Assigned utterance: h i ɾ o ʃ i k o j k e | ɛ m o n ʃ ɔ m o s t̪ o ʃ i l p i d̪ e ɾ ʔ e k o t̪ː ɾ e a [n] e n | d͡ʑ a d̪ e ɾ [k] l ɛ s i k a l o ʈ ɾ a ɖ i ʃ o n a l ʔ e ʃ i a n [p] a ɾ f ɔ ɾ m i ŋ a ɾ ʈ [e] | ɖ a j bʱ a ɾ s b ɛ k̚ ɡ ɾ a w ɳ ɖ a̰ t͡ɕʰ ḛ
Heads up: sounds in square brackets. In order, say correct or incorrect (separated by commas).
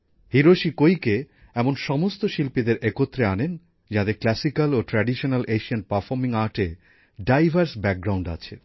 correct, correct, correct, correct